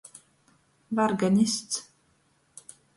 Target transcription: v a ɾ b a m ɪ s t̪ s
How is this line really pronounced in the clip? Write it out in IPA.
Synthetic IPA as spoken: v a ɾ ɡ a n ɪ s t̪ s